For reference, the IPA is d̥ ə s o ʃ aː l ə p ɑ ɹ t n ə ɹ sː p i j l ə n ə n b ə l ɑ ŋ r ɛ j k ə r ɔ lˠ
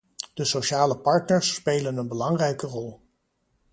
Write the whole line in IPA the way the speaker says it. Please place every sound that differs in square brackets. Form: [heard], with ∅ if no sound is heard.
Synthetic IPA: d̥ ə s o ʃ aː l ə p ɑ ɹ t n ə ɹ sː p [e] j l ə n ə n b ə l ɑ ŋ r ɛ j k ə r ɔ lˠ

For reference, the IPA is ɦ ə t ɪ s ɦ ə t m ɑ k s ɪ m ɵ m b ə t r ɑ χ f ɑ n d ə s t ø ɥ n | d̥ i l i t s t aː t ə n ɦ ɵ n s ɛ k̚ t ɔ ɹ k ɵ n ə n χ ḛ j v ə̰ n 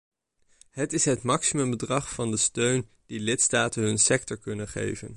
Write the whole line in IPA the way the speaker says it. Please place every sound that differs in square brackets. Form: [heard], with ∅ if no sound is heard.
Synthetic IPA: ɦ ə t ɪ s ɦ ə t m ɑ k s [i] m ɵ m b ə [d] r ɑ χ f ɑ n d ə s t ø ɥ n | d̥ i l [ɪ] t s t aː t ə n ɦ ɵ n s ɛ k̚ t ɔ ɹ k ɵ n ə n χ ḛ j v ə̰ n

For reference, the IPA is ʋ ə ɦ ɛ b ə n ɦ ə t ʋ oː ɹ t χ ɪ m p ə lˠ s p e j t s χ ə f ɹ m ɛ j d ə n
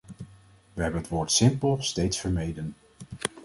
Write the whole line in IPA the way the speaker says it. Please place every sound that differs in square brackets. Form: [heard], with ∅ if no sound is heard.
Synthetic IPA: ʋ ə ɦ ɛ b ə n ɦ ə t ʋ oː ɹ t [s] ɪ m p ə lˠ s [t] e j t s [f] ə [∅] ɹ m [e] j d ə n

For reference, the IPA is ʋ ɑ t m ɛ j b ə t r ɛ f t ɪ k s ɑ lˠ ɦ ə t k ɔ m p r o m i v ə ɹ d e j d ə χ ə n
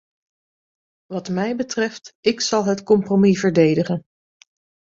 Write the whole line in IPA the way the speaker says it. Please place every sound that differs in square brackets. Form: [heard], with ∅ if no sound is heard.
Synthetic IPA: ʋ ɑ t m ɛ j b ə t r ɛ f t ɪ k s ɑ lˠ ɦ ə t k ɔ m p r o m i v ə ɹ d e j d ə χ ə n

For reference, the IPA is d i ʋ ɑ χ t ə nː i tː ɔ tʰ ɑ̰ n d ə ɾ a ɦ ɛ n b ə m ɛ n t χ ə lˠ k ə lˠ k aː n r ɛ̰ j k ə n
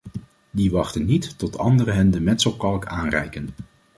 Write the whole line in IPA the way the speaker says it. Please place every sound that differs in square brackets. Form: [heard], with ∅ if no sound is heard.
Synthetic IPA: d i ʋ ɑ χ t ə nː i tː ɔ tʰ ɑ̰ n d ə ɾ [ə] ɦ ɛ n [d] ə m ɛ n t [s] ə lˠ k [ɑ] lˠ k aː n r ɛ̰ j k ə n

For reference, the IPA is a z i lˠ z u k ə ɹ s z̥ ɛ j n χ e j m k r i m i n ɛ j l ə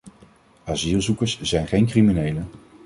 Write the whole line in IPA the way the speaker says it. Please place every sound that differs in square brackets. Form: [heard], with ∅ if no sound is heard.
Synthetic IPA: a z i lˠ z u k ə ɹ s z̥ ɛ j n χ e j [n] k r i m i n [e] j l ə

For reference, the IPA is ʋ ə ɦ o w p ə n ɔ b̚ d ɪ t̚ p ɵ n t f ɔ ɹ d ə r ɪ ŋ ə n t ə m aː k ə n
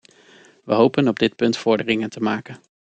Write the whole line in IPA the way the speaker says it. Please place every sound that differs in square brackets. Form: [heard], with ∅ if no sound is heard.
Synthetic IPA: ʋ ə ɦ o w p ə n ɔ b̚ d ɪ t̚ p ɵ n t f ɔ ɹ d ə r ɪ ŋ ə n t ə m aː k ə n

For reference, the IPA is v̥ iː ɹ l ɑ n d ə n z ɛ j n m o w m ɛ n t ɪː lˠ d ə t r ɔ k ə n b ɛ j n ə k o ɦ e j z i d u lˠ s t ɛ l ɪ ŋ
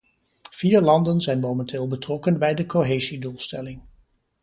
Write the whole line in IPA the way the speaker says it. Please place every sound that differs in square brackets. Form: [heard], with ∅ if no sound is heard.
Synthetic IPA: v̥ iː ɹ l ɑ n d ə n z ɛ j n m o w m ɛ n t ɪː lˠ [b] ə t r ɔ k ə n b ɛ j [d] ə k o ɦ e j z i d u lˠ s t ɛ l ɪ ŋ

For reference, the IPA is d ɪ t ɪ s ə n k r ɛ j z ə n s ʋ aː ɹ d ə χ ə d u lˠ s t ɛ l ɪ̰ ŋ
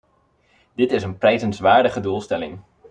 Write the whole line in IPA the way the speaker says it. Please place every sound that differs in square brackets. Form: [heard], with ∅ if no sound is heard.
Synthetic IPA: d ɪ t ɪ s ə n [p] r ɛ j z ə n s ʋ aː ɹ d ə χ ə d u lˠ s t ɛ l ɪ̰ ŋ

